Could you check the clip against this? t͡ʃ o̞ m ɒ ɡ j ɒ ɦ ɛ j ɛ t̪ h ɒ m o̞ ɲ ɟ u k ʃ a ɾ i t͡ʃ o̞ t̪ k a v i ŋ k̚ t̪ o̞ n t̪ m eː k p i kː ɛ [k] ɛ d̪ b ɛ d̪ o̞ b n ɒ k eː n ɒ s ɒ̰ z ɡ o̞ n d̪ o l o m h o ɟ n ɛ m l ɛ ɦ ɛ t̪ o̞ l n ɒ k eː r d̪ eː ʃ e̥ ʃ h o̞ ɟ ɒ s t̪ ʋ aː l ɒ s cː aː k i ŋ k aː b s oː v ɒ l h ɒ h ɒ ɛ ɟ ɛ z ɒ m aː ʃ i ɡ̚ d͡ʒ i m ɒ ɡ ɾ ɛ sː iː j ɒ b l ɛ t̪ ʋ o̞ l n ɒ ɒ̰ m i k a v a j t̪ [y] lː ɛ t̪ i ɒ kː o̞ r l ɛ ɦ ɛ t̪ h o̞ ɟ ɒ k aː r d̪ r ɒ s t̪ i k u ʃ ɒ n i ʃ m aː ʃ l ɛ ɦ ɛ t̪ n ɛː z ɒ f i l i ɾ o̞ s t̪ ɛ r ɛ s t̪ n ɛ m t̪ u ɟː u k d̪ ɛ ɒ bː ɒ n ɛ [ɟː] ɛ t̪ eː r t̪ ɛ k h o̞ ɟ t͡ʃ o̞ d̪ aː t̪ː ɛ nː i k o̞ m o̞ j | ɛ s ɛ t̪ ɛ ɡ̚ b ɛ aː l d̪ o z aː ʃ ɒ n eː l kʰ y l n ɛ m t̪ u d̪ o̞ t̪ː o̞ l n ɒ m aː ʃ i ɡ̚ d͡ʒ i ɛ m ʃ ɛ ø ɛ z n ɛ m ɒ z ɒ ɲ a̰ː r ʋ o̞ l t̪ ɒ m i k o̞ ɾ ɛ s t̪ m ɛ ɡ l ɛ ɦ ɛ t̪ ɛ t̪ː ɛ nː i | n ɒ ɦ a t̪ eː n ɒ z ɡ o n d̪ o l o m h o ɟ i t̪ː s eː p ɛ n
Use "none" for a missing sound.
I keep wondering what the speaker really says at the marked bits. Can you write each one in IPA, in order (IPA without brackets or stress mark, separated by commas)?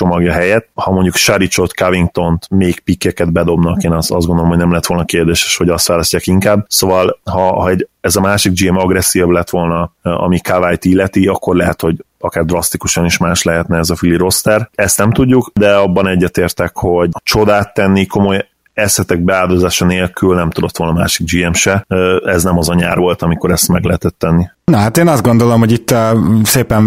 k, i, ɟː